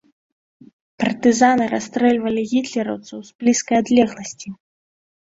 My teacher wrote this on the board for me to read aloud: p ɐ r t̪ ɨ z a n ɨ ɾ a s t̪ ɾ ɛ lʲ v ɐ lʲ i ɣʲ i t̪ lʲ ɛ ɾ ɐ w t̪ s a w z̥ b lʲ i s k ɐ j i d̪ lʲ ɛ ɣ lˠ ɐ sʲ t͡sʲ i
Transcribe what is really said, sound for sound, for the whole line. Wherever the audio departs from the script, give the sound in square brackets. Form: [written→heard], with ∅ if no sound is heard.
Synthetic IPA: p ɐ r t̪ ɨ z a n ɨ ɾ a s t̪ ɾ ɛ lʲ v ɐ lʲ i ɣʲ i t̪ lʲ ɛ ɾ ɐ w t̪ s [a→ɐ] w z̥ b lʲ i s k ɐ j [i→a] d̪ lʲ ɛ ɣ lˠ ɐ sʲ t͡sʲ i